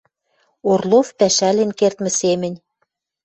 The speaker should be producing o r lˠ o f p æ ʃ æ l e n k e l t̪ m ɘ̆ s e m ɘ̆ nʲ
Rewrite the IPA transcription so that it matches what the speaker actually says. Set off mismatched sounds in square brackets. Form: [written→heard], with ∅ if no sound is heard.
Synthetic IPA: o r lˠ o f p æ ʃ æ l e n k e [l→r] t̪ m ɘ̆ s e m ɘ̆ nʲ